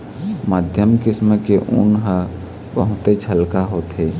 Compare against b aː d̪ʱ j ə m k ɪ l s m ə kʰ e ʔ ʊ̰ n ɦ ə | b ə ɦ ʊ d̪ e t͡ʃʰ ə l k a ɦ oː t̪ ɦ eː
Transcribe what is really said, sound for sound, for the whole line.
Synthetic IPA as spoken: m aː d̪ʱ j ə m k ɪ s m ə k e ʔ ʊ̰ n ɦ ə | b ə ɦ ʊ t̪ e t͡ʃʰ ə l k a ɦ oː t̪ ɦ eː